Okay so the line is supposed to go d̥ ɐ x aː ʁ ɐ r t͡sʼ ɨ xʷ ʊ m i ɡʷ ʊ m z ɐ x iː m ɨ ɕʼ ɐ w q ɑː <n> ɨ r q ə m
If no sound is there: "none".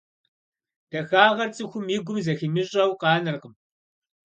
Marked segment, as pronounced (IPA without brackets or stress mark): n